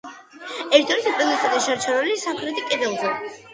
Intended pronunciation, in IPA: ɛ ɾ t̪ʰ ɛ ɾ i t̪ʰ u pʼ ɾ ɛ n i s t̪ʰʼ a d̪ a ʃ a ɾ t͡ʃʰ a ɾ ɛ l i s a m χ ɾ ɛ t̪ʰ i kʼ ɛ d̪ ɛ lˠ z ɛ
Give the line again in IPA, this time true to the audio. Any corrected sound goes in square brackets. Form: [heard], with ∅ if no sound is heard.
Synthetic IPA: ɛ ɾ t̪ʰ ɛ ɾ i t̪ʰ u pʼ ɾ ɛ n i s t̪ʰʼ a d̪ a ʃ a ɾ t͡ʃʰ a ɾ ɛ l i s a m χ ɾ ɛ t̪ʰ i kʼ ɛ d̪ ɛ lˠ z ɛ